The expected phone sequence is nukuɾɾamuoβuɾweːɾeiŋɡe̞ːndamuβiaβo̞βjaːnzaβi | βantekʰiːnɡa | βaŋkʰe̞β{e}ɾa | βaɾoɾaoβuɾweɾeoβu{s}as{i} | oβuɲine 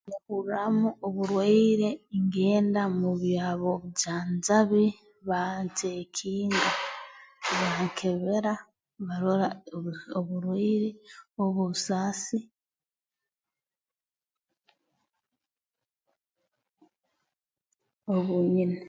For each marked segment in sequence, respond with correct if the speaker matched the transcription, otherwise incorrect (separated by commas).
correct, correct, correct